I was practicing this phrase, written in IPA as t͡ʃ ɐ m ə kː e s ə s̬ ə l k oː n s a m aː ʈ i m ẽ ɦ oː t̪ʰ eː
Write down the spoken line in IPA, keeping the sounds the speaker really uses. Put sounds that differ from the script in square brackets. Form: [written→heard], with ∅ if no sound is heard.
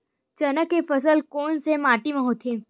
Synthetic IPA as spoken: t͡ʃ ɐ [m→n] ə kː e [s→f] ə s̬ ə l k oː n s [a→e] m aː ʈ i m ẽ ɦ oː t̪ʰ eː